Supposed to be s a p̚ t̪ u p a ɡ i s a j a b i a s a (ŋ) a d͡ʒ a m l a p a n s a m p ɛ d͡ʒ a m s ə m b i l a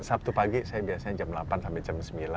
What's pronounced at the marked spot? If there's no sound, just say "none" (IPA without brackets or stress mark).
ɲ